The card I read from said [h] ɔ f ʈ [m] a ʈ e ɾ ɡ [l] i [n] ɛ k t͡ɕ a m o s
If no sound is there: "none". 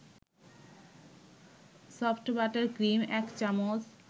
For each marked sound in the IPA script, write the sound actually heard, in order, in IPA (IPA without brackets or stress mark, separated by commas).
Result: s, b, ɾ, m